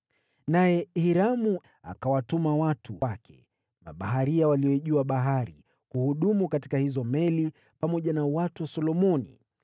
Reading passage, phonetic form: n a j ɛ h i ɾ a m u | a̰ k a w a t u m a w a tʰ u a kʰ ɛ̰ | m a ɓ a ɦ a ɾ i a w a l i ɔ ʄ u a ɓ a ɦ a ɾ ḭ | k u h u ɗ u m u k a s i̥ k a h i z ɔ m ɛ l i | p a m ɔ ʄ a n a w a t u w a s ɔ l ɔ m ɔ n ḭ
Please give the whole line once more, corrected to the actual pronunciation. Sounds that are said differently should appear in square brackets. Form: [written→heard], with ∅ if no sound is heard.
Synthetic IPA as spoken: n a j ɛ h i ɾ a m u | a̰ k a w a t u m a w a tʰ u a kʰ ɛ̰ | m a ɓ a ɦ a ɾ i a w a l i ɔ ʄ u a ɓ a ɦ a ɾ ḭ | k u h u ɗ u m u k a [s→t] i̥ k a h i z ɔ m ɛ l i | p a m ɔ ʄ a n a w a t u w a s ɔ l ɔ m ɔ n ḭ